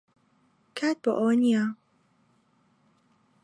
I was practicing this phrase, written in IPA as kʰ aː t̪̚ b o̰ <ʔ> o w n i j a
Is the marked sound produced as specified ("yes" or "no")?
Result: yes